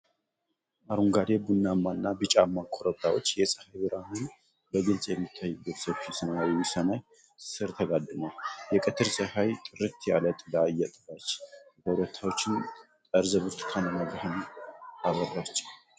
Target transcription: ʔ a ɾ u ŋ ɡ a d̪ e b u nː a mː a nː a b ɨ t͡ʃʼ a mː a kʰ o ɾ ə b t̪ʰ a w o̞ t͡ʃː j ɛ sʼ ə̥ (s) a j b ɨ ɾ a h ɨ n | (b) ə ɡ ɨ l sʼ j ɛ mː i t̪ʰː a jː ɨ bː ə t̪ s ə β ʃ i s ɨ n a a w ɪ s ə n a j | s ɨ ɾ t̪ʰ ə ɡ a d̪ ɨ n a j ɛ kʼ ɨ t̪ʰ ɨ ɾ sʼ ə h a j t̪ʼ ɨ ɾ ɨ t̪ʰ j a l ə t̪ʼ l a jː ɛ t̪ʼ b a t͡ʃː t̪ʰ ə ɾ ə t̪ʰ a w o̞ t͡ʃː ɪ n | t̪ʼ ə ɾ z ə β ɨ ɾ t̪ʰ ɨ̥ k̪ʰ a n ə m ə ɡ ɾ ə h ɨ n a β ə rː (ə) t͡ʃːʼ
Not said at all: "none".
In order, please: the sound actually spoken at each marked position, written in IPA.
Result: h, b, a

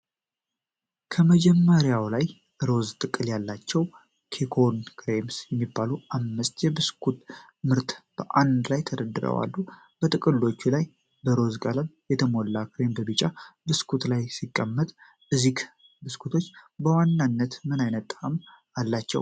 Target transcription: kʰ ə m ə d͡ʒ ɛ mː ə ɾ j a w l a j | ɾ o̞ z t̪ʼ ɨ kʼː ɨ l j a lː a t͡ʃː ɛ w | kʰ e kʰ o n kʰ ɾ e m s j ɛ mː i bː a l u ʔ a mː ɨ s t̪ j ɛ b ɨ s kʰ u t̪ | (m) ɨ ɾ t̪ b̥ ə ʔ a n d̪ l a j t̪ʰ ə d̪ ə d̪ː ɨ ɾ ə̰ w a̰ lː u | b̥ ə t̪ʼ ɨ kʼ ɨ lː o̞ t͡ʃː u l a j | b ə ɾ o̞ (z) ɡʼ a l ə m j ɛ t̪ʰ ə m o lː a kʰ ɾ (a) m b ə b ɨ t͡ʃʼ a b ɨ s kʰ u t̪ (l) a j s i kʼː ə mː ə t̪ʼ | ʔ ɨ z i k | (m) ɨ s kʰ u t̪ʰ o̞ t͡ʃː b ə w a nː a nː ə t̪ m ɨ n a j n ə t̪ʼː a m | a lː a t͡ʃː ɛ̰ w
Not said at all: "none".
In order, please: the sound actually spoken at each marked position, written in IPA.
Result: m, z, e, l, b

